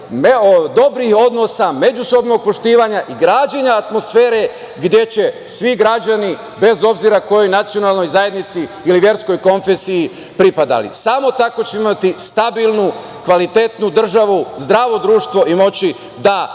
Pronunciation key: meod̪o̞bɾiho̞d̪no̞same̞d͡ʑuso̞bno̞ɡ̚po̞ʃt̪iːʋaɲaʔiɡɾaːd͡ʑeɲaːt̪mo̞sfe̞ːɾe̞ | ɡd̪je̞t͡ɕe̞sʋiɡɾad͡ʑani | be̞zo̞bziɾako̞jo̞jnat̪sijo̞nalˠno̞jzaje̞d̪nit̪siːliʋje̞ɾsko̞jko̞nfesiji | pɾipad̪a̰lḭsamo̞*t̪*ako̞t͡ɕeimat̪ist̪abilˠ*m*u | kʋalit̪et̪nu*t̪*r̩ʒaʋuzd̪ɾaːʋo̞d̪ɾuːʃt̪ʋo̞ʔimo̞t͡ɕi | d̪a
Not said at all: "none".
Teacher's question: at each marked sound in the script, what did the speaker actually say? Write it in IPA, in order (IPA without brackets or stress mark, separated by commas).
t̪, n, d̪